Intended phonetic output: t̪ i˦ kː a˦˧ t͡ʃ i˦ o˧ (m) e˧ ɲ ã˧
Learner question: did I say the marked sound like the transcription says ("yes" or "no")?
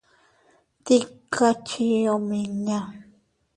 yes